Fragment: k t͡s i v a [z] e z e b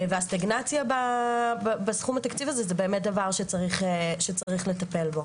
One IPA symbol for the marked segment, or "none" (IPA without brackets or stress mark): z